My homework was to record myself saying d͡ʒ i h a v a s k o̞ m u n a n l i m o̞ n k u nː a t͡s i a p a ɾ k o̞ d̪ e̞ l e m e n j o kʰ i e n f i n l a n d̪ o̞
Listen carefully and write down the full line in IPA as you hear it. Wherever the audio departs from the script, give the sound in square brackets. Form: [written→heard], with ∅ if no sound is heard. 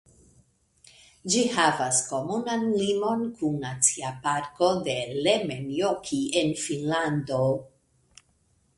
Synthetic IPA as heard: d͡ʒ i h a v a s k o̞ m u n a n l i m o̞ n k u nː a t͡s i a p a ɾ k o̞ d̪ e̞ l e m e n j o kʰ i e n f i n l a n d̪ o̞